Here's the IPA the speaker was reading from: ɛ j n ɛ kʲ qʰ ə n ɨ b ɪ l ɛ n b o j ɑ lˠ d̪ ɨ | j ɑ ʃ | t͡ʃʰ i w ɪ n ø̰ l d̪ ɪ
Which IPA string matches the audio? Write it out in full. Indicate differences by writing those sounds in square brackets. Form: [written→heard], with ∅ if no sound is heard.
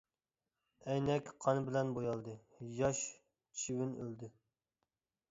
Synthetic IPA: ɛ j n ɛ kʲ qʰ [ə→ɑ] n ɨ b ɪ l ɛ n b o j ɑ lˠ d̪ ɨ | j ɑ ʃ | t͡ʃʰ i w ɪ n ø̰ l d̪ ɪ